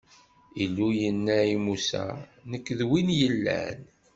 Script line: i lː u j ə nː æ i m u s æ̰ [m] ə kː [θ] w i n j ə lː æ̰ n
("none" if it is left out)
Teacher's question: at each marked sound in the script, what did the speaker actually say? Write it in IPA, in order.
n, ð

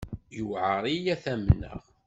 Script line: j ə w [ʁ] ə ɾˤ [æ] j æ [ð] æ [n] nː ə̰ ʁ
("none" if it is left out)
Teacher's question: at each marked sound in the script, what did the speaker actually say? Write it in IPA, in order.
ʕ, i, θ, m

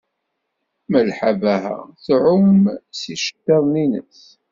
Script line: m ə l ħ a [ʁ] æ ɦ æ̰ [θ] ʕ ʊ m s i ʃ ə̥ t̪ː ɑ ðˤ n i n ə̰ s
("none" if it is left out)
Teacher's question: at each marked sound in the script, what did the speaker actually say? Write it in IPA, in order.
v, θ

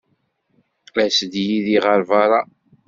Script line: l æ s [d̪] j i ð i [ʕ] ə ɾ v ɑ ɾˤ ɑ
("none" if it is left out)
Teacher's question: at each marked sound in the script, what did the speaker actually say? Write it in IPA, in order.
d̪, ʁ

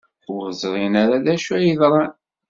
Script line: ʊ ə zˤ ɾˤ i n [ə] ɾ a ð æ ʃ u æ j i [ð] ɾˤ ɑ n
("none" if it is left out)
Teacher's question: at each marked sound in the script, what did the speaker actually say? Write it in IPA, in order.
a, ð

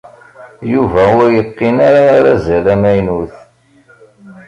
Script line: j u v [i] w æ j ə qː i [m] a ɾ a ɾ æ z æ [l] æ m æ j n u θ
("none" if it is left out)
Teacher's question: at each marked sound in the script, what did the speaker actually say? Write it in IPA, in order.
æ, n, l

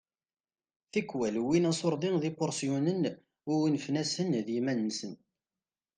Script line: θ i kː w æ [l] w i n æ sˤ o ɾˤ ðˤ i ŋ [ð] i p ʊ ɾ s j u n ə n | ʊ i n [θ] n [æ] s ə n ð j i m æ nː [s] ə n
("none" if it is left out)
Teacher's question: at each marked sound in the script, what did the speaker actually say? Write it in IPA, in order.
l, ð, f, æ, s

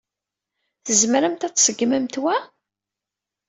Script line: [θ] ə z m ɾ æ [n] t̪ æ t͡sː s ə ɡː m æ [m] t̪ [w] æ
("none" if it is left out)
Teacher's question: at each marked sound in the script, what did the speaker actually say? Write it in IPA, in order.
θ, m, m, w

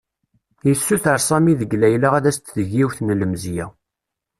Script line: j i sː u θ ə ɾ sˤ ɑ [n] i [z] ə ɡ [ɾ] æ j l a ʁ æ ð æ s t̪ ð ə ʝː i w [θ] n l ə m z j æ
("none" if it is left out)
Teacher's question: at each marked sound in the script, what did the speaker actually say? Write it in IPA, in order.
m, ð, l, θ

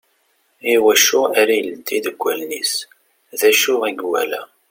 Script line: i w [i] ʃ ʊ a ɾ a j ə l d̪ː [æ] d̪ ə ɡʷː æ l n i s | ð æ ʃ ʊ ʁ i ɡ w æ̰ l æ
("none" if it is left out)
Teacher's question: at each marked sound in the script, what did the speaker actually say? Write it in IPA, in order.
æ, i

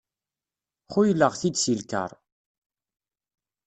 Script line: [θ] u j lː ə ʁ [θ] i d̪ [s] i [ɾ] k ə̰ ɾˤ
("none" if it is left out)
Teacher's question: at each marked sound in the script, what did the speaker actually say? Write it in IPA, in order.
χ, θ, s, l

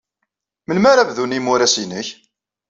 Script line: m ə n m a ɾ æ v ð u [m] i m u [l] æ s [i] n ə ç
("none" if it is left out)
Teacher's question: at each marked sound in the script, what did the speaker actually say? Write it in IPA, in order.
n, ɾ, i

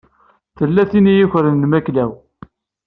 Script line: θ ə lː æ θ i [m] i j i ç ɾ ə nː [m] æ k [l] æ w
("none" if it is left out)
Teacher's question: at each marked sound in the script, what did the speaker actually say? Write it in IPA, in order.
n, m, l

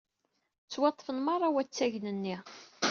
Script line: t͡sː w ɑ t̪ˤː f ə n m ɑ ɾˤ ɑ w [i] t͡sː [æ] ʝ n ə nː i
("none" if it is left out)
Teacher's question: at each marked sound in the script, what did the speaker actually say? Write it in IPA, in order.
æ, æ

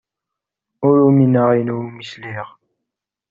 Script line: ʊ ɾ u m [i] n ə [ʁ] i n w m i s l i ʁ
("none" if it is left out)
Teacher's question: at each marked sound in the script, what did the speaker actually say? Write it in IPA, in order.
i, ʁ

